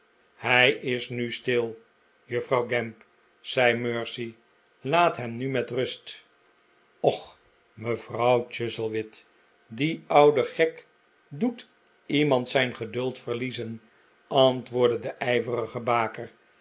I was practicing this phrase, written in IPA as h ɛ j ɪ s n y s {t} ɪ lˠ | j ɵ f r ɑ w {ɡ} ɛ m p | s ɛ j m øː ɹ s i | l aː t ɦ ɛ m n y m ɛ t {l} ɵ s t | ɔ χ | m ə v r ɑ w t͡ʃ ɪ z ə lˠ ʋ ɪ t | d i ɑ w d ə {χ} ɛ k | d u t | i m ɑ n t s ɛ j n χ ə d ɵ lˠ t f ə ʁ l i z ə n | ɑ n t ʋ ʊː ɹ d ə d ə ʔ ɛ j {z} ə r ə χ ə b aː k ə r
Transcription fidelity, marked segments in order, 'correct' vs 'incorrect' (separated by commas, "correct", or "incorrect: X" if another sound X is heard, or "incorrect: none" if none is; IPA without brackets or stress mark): correct, correct, incorrect: r, correct, incorrect: v